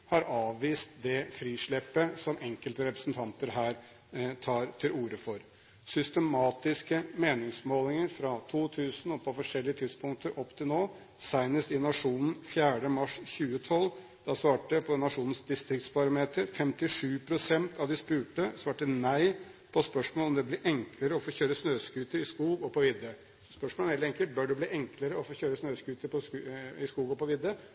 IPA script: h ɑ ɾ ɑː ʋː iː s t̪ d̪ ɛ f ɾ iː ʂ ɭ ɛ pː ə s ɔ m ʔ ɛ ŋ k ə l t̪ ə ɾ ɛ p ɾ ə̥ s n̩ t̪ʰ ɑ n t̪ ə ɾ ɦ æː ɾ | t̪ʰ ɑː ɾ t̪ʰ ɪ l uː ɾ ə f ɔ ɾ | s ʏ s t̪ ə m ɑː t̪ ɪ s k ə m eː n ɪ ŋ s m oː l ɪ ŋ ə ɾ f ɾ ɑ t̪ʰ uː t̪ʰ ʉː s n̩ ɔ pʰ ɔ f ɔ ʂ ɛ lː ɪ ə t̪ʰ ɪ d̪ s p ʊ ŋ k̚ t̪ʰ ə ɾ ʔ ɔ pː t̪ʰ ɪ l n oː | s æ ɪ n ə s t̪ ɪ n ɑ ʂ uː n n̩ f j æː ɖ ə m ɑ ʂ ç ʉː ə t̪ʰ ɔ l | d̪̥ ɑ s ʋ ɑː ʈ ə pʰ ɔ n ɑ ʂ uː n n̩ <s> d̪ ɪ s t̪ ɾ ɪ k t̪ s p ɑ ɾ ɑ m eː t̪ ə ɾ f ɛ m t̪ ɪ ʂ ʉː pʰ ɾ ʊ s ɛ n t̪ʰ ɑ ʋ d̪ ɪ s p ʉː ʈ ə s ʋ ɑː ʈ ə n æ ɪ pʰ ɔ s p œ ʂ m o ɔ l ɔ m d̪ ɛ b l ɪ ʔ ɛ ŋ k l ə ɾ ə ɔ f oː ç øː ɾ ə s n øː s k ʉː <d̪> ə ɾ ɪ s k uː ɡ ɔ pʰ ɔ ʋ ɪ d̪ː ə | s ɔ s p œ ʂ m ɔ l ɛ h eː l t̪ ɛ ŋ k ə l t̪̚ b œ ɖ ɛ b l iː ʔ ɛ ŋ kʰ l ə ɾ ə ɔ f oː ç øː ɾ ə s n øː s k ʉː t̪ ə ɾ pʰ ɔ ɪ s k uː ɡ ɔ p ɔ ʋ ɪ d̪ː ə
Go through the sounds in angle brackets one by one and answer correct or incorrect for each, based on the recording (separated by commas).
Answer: correct, incorrect